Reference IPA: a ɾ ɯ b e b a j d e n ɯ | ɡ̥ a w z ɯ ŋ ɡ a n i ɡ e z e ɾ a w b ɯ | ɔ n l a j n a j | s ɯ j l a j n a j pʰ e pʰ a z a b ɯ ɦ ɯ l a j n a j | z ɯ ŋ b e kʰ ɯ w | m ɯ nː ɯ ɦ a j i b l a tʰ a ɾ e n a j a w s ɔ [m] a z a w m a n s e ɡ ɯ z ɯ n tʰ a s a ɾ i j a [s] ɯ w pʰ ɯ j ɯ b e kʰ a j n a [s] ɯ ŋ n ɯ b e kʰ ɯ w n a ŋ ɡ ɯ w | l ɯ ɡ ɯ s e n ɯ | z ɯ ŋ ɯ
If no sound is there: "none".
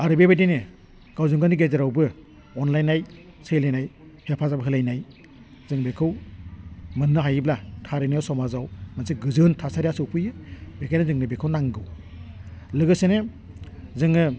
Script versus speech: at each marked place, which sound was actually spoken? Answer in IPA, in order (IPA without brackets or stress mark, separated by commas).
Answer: m, s, z